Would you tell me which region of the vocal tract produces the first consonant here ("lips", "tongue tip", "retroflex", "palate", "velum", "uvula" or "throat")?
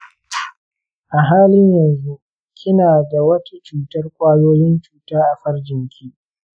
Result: throat